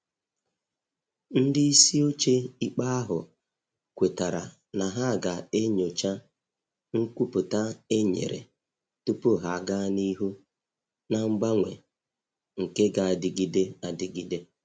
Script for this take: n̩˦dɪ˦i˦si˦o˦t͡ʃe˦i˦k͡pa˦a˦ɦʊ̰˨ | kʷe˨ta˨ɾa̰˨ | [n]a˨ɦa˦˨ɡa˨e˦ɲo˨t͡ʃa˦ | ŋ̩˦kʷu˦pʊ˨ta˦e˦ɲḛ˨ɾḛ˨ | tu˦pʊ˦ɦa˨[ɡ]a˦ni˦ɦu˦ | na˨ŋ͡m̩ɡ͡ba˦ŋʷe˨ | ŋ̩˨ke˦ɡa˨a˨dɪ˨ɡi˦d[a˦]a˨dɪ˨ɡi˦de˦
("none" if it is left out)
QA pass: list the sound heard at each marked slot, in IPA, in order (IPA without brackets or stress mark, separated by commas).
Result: n, ɡ, e˦